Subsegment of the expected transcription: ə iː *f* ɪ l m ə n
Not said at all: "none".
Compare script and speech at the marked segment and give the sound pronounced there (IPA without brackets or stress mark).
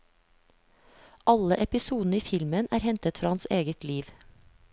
f